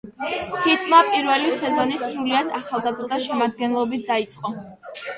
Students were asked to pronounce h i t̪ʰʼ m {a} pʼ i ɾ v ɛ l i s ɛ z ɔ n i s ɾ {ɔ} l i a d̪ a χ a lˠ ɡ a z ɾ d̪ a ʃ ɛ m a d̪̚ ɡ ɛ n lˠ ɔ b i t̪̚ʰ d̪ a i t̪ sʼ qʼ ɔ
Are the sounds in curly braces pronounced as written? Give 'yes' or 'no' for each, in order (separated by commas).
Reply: yes, no